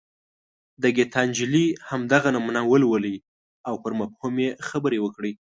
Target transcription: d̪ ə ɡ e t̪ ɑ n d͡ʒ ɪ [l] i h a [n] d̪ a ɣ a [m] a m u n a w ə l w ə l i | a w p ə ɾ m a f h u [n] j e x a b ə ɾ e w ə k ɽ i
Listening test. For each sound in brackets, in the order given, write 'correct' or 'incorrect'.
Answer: correct, incorrect: m, incorrect: n, incorrect: m

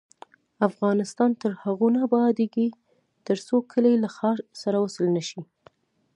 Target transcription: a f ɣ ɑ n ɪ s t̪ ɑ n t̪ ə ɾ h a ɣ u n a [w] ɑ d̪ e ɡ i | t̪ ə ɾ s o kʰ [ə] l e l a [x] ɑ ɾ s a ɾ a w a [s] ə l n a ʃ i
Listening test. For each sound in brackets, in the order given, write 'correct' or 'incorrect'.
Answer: incorrect: b, correct, correct, correct

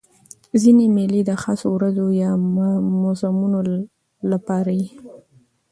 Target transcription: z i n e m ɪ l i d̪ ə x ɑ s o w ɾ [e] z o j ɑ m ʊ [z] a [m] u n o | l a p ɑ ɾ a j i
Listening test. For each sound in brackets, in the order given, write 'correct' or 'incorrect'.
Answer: incorrect: a, correct, correct

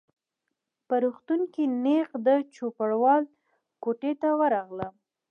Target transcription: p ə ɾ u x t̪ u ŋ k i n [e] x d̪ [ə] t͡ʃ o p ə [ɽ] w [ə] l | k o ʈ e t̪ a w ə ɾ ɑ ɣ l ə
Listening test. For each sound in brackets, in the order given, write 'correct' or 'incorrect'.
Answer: correct, correct, correct, incorrect: ɑ

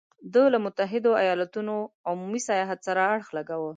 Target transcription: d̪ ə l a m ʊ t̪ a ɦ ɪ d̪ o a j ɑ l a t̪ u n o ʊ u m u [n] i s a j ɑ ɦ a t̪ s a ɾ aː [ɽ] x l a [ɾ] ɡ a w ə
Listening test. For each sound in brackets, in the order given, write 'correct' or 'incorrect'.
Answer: incorrect: m, correct, incorrect: none

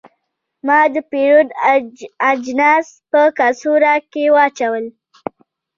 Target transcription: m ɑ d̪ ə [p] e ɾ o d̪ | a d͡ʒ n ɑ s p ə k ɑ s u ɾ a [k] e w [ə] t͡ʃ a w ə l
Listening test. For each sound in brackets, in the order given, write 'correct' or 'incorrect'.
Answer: correct, correct, incorrect: ɑ

